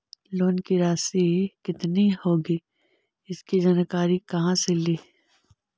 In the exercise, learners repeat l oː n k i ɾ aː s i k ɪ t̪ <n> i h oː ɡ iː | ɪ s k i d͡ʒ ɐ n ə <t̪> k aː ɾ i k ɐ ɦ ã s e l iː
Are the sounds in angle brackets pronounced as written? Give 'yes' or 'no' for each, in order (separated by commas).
yes, no